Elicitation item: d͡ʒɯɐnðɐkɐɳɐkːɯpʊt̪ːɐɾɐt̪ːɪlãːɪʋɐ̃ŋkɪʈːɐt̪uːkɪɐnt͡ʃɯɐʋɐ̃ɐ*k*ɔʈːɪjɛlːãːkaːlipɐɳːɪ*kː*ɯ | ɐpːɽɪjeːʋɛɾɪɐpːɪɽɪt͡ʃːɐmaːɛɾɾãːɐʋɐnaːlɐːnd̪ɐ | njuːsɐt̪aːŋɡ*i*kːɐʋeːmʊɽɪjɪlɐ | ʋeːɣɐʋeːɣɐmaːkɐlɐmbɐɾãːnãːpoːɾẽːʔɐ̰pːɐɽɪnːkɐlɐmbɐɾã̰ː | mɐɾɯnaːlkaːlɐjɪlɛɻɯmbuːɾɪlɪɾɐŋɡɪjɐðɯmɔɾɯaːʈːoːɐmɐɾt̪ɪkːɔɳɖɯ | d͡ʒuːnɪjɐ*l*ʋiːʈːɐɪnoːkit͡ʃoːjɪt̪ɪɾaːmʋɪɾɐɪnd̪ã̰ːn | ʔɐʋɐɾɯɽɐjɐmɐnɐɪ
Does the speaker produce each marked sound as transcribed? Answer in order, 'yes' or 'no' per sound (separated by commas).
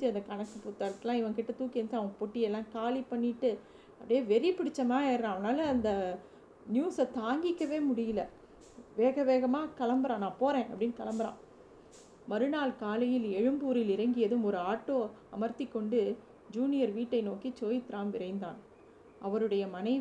no, no, no, no